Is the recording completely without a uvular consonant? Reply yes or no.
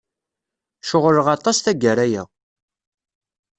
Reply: no